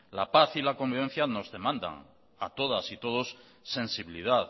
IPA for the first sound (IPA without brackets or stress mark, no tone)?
l